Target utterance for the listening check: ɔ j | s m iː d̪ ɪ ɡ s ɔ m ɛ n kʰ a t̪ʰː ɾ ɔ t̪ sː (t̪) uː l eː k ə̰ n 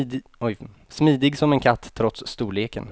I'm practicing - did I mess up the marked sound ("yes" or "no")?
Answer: no